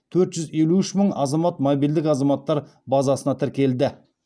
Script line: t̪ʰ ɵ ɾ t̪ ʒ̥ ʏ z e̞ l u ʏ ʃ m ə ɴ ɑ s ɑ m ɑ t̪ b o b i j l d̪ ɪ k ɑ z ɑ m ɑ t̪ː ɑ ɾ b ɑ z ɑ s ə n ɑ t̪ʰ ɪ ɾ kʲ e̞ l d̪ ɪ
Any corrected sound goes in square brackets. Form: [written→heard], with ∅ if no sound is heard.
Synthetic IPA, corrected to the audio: t̪ʰ ɵ ɾ t̪ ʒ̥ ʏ z e̞ l u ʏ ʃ m ə ɴ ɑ [s→z] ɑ m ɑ t̪ [b→m] o b i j l d̪ ɪ k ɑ z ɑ m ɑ t̪ː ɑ ɾ b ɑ z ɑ s ə n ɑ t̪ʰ ɪ ɾ kʲ e̞ l d̪ ɪ